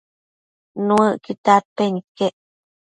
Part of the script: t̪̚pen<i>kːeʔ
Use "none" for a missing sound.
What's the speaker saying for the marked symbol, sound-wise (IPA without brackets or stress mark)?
i